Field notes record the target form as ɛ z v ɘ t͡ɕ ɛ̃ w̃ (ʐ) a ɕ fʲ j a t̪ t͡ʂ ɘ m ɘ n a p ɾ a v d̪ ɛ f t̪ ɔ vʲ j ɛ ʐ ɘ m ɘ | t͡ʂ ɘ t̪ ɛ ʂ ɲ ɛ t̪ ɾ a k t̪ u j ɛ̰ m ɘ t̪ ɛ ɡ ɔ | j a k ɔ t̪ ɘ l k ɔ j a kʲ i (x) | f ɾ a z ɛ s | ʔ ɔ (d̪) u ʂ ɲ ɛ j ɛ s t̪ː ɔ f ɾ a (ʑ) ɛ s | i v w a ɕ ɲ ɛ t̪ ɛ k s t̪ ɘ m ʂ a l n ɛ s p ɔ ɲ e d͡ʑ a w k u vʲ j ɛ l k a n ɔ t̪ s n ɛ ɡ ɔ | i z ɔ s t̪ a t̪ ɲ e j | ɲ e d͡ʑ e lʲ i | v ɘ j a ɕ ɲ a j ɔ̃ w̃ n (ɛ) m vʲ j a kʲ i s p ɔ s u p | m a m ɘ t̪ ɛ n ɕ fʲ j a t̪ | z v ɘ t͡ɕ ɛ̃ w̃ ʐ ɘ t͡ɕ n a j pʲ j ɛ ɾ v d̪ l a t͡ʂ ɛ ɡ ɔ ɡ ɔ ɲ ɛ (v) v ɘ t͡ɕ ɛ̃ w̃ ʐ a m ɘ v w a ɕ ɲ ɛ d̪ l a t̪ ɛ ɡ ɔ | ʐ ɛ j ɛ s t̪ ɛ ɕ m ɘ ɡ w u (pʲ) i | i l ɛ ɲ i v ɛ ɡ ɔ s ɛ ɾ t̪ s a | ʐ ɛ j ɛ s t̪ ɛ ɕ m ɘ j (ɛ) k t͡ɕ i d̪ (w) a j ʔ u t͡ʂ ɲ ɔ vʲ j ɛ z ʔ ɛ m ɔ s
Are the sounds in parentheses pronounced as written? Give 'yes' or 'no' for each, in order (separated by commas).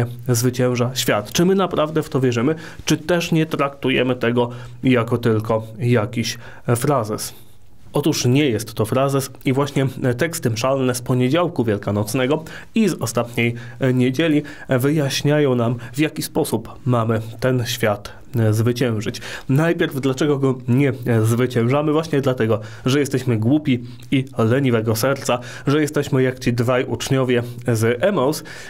yes, no, no, no, no, no, yes, no, no